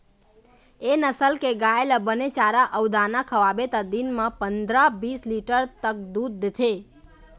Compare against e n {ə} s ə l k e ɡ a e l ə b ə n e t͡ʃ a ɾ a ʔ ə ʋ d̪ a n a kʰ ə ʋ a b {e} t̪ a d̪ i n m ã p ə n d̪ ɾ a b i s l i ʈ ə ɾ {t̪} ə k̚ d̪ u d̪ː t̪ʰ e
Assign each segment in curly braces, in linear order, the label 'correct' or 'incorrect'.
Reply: correct, correct, correct

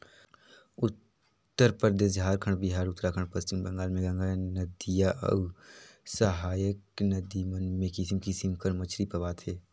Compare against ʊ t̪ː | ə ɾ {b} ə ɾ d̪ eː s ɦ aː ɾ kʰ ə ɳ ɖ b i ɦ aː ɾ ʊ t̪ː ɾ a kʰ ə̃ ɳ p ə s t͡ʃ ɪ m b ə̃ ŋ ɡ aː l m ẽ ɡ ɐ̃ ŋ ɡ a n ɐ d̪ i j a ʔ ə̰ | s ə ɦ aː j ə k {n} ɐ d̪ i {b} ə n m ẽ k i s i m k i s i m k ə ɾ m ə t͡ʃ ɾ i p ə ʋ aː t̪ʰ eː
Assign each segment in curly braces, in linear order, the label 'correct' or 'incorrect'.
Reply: incorrect: p, correct, incorrect: m

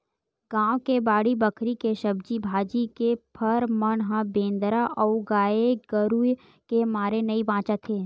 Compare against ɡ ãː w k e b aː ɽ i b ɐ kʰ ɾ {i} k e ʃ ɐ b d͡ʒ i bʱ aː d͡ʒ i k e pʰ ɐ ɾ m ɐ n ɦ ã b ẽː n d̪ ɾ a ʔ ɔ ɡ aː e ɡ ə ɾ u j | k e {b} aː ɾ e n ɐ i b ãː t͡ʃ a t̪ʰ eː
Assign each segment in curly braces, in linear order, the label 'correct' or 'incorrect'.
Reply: correct, incorrect: m

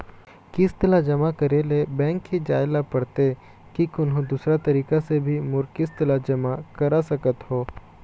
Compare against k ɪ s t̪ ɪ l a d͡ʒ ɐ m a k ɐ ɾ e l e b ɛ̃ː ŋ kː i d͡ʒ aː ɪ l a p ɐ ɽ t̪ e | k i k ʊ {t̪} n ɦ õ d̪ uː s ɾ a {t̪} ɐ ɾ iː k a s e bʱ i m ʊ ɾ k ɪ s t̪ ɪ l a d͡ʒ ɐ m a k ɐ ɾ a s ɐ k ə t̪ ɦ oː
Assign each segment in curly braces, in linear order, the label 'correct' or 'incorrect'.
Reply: incorrect: none, correct

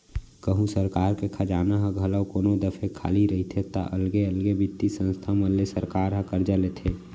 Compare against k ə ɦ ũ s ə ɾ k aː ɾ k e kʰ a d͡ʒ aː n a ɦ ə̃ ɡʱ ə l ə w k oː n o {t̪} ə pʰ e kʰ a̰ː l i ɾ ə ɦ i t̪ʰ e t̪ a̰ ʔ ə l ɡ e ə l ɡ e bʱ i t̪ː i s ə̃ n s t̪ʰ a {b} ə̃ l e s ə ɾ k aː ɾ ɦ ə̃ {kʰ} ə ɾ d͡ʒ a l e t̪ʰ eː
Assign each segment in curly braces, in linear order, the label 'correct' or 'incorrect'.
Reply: incorrect: d̪, incorrect: m, incorrect: k

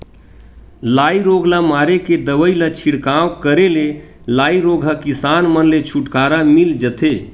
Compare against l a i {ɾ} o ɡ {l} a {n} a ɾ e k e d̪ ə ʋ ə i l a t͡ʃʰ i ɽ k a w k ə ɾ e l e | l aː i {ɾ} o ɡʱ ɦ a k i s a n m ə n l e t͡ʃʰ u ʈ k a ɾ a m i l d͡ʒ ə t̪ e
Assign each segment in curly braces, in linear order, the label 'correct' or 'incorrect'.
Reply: correct, correct, incorrect: m, correct

